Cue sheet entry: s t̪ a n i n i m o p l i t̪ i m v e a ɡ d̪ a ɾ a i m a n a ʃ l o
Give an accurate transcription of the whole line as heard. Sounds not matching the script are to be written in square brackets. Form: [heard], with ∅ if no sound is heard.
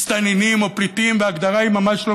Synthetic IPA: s t̪ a n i n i m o p [ɾ] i t̪ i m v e a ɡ d̪ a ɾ a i m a [m] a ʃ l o

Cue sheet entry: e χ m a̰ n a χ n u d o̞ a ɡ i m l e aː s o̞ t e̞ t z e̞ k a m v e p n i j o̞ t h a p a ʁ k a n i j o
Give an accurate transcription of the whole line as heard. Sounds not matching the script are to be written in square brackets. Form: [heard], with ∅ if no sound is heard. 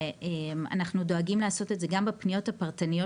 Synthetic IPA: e [∅] m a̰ n a χ n u d o̞ a ɡ i m l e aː s o̞ t e̞ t z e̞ [ɡ] a m [b] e p n i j o̞ t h a p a ʁ [t] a n i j o

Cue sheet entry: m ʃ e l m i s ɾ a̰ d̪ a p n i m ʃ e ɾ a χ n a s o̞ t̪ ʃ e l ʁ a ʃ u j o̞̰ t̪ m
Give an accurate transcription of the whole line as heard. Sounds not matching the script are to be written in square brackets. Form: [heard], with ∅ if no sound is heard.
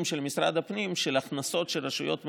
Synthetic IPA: m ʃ e l m i s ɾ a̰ d̪ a p n i m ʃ e [l] a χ n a s o̞ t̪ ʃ e l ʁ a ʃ u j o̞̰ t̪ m

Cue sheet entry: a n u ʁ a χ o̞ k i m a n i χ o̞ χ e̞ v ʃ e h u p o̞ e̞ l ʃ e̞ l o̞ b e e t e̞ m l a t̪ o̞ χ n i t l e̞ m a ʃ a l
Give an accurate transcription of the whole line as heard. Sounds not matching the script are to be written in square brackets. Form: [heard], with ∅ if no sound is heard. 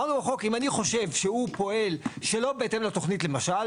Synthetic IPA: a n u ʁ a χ o̞ k i m a n i χ o̞ [ʃ] e̞ v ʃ e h u p o̞ e̞ l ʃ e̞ l o̞ b e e t e̞ m l a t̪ o̞ χ n i t l e̞ m a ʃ a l

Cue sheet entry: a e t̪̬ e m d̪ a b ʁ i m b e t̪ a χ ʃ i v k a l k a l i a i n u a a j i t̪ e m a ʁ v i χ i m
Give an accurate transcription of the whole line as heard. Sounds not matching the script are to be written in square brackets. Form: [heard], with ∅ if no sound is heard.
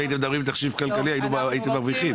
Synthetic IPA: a [i] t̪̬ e m d̪ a b ʁ i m b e t̪ a χ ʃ i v k a l k a l i a i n u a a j i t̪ e m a ʁ v i χ i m

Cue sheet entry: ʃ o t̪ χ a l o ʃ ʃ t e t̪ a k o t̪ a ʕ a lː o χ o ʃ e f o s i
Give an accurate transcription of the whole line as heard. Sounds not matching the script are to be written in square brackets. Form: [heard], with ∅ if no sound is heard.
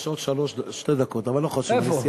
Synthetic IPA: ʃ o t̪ [ʃ] a l o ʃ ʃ t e [d̪] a k o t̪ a [v] a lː o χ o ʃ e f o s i

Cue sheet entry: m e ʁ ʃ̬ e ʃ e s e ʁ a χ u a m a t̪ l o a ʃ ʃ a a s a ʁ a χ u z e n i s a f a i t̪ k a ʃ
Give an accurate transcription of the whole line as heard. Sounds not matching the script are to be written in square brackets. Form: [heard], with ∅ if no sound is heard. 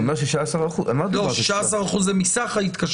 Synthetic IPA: m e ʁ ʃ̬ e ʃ [a] s [a] ʁ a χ u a m a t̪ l o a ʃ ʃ a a s a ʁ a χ u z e [m] i s a [χ] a i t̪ k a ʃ

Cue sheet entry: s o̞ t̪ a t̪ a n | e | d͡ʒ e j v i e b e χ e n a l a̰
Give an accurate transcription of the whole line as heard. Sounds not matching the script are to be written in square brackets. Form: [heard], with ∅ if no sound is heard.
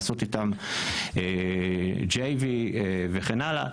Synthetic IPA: s o̞ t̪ [i] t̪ a [m] | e | d͡ʒ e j v i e [v] e χ e n a l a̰

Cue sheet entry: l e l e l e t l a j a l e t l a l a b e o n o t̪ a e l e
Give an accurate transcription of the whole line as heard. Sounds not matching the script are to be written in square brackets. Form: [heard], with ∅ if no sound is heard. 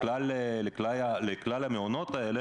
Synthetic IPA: l [a] l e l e [k] l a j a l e [k] l a l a [m] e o n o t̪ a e l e

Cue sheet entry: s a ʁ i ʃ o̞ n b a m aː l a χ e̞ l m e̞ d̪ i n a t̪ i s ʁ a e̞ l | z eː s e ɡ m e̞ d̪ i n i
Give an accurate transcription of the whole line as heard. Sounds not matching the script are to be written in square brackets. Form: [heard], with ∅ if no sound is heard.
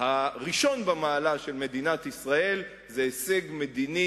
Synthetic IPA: [h] a ʁ i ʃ o̞ n b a m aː l a [ʃ] e̞ l m e̞ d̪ i n a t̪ i s ʁ a e̞ l | z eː s e ɡ m e̞ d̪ i n i

